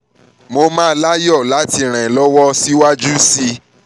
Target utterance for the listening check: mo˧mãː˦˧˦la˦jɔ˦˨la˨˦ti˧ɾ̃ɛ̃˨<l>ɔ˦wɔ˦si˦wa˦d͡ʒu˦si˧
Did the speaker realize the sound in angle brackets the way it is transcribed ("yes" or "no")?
yes